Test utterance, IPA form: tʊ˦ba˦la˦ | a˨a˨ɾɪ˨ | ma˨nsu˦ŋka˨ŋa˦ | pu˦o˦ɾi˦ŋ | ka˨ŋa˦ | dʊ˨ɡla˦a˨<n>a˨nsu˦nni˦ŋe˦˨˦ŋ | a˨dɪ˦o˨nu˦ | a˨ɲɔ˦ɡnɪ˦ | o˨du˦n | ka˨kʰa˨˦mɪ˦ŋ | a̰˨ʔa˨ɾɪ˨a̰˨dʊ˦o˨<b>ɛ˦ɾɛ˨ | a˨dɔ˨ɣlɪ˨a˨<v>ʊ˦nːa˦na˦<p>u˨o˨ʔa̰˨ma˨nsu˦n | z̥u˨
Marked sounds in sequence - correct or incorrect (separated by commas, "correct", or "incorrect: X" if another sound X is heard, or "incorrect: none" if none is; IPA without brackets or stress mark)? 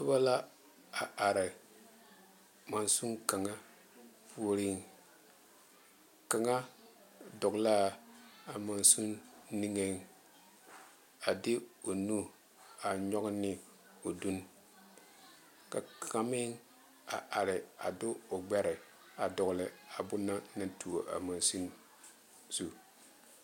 incorrect: m, incorrect: ɡ͡b, incorrect: b, incorrect: t